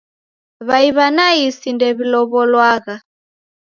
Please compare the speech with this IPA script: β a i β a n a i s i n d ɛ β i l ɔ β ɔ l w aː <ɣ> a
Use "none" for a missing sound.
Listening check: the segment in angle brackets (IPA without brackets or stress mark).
ɣ